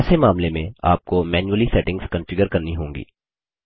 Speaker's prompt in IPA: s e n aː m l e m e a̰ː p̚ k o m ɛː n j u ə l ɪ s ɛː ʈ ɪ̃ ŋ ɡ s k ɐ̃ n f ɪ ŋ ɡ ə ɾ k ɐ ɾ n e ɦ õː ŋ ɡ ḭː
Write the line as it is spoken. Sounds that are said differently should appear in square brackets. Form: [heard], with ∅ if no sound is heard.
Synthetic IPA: s e [m] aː m l e m [ẽ] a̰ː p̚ k o m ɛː n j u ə l [i] s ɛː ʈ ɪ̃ ŋ ɡ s k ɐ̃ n f ɪ [∅] ɡ ə ɾ k ɐ ɾ n [i] ɦ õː ŋ ɡ ḭː